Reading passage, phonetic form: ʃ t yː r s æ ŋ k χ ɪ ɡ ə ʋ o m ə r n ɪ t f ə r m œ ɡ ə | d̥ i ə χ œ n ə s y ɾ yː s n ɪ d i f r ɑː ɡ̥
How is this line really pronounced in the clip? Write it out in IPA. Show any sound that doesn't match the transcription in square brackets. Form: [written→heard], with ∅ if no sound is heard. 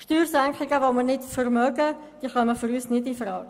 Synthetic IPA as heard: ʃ t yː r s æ ŋ k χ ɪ ɡ ə ʋ o m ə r n ɪ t f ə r m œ ɡ ə | d̥ i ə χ œ [n→m] ə [s→f] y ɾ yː s n ɪ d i f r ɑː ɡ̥

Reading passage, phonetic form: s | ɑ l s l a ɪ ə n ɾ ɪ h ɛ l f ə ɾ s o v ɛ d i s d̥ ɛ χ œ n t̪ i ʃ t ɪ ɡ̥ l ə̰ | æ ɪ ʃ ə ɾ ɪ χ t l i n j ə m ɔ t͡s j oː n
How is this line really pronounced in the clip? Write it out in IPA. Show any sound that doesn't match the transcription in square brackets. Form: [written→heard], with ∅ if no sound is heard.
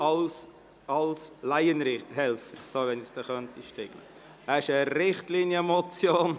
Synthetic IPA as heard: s | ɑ l s l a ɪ ə n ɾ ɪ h ɛ l f ə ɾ s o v ɛ [d→n] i s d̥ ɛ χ œ n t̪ i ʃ t ɪ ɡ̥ l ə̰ | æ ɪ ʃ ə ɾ ɪ χ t l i n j ə m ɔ t͡s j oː n

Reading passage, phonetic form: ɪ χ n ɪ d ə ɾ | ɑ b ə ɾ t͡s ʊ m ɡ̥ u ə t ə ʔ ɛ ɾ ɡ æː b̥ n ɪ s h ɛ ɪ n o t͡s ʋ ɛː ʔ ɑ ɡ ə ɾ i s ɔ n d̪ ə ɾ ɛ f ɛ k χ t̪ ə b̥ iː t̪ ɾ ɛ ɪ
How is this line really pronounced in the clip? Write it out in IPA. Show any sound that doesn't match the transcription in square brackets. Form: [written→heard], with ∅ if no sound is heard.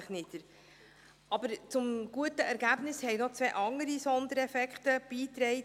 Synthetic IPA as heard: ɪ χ n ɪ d ə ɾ | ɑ b ə ɾ t͡s ʊ m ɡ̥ u ə t ə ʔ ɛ ɾ ɡ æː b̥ n ɪ s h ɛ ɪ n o t͡s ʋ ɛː ʔ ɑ [ɡ→ŋ] ə ɾ i s ɔ n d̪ ə ɾ ɛ f ɛ k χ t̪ ə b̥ iː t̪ ɾ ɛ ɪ

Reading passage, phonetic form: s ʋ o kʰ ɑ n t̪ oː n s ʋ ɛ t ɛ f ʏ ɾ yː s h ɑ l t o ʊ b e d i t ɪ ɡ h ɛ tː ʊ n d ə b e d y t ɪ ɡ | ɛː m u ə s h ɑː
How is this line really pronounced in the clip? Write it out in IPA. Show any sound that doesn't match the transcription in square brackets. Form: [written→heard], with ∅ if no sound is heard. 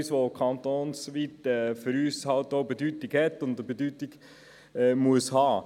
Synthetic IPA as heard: s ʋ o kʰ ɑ n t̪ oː n s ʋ [ɛ→i] t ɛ f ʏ ɾ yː s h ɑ l t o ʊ b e d [i→y] t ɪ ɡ h ɛ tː ʊ n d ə b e d y t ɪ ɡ | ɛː m u ə s h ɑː

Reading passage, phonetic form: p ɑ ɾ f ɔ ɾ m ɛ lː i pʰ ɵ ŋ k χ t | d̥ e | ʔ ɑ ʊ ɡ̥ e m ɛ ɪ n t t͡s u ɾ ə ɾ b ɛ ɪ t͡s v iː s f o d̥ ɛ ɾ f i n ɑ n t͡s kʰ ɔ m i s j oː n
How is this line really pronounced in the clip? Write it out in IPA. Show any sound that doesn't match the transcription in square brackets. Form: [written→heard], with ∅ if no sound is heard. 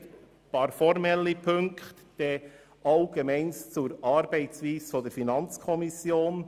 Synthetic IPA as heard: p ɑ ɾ f ɔ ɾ m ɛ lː i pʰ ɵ ŋ k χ t | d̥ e | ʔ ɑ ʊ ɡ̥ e m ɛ ɪ n [t→s] t͡s u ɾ [ə→ɑ] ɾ b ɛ ɪ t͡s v iː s f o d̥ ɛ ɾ f i n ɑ n t͡s kʰ ɔ m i s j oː n

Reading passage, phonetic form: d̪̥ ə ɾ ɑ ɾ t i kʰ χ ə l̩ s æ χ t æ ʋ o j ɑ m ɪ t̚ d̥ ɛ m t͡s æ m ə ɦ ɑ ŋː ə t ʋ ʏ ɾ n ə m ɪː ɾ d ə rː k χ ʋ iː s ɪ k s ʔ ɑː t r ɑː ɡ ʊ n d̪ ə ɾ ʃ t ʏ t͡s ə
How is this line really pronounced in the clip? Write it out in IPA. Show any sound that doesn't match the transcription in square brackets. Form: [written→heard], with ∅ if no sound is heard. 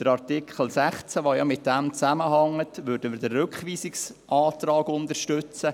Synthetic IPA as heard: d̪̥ ə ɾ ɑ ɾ t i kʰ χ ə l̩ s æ χ [t→t͡s] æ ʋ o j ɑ m ɪ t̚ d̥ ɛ m t͡s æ m ə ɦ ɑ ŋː ə t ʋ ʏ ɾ [n→d] ə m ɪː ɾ d ə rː k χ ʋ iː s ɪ k s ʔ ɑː t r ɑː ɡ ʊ n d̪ ə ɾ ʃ t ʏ t͡s ə

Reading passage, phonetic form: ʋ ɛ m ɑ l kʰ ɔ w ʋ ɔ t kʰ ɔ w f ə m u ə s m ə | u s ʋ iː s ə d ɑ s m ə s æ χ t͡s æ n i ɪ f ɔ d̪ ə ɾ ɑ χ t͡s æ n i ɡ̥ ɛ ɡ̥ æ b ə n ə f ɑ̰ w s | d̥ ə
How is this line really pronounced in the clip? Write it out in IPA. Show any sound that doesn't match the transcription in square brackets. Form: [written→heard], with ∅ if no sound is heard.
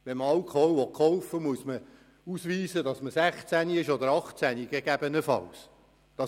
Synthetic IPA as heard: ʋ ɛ m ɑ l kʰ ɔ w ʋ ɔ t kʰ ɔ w f ə m u ə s m ə | u s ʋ iː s ə d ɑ s m ə s æ χ t͡s æ n i ɪ [f→ʃ] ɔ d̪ ə ɾ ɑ χ t͡s æ n i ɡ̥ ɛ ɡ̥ æ b ə n ə f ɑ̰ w s | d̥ [ə→ɑ]

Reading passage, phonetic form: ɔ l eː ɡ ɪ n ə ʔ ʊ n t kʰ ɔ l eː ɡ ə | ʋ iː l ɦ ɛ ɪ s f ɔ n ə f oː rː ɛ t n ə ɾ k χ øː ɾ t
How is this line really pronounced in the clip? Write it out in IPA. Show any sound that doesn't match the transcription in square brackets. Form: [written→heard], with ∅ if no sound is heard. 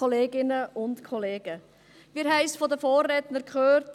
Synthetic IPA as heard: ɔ l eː ɡ ɪ n ə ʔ ʊ n t kʰ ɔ l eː ɡ ə | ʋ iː [l→ɾ] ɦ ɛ ɪ s f ɔ [n→d] ə f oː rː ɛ t n ə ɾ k χ øː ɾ t

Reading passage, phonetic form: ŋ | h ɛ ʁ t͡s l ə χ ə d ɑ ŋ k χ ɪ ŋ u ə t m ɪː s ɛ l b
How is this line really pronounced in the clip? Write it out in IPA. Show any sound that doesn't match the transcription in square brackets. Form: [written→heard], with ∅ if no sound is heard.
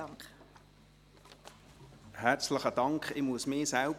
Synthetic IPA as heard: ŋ | h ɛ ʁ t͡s l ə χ ə d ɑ ŋ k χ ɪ [ŋ→m] u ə [t→s] m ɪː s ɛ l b

